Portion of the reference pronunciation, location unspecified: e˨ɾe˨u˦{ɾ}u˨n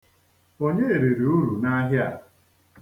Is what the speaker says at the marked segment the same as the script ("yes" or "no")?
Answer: yes